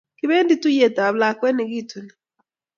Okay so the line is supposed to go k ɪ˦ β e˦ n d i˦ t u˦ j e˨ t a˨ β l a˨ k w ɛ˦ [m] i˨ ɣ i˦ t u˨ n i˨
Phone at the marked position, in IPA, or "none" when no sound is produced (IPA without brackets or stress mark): n